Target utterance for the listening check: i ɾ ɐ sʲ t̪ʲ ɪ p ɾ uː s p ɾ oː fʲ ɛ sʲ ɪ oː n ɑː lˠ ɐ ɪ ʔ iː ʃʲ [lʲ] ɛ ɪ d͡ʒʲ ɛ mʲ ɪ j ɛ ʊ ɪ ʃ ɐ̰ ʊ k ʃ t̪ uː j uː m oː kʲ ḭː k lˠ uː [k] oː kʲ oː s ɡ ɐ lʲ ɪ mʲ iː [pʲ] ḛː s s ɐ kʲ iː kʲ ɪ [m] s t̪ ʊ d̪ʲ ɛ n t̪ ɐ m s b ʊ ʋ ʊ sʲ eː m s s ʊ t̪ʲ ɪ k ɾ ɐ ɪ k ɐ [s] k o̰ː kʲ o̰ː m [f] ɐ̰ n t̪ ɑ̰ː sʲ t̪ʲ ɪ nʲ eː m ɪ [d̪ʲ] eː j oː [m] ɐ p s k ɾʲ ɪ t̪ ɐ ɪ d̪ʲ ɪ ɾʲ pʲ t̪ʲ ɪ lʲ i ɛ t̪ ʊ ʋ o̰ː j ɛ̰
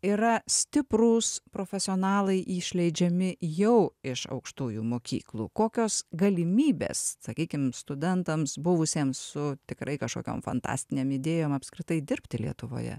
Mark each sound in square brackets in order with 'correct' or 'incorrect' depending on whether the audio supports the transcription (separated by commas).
correct, correct, incorrect, correct, incorrect, correct, correct, correct